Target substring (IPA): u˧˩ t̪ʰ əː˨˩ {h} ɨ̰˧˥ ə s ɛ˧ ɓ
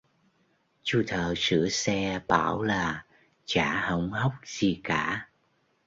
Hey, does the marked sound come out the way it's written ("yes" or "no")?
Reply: no